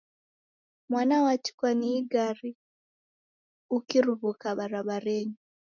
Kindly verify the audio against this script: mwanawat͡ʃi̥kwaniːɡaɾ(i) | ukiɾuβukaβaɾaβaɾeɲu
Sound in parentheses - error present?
no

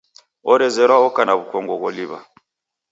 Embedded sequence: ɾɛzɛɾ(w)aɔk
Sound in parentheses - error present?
no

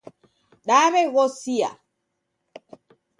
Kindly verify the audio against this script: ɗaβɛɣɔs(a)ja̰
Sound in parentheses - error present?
yes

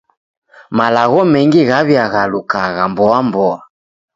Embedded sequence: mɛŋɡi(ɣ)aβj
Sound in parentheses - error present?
no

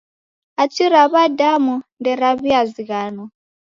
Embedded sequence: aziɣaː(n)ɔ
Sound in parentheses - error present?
no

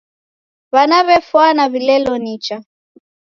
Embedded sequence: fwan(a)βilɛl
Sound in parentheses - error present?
no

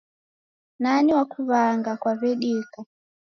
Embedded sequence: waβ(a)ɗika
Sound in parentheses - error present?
yes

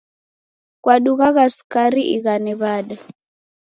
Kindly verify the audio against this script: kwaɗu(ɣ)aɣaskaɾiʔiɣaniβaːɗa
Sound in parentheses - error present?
no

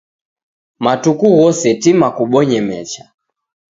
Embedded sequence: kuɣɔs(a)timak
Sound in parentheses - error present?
yes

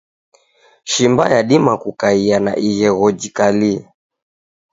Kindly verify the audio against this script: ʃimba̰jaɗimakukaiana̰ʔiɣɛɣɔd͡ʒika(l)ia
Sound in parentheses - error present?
no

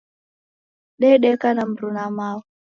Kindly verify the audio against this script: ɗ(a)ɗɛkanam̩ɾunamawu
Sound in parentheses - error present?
yes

